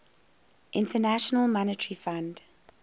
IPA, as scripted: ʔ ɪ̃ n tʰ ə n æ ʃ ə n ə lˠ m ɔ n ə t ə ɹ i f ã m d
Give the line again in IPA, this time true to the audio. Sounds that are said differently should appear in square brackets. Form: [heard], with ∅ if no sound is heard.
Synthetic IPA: ʔ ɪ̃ n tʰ ə n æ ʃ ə n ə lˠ m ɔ n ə t ə ɹ i f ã [n] d